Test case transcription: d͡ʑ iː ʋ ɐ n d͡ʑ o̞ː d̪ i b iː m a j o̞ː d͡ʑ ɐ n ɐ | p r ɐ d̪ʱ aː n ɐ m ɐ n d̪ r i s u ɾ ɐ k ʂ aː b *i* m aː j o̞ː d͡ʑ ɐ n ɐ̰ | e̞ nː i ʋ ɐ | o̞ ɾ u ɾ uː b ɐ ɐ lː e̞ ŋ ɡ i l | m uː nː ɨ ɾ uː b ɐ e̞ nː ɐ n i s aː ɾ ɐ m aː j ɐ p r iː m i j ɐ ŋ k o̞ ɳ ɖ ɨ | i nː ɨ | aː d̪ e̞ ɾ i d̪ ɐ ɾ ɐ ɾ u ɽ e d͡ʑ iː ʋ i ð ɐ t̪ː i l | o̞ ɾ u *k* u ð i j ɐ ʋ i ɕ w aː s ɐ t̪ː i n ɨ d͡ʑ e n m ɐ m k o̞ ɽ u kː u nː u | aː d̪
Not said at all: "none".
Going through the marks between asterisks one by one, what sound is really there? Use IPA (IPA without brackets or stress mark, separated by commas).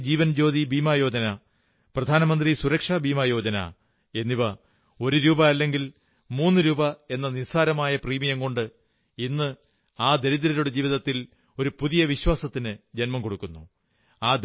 iː, p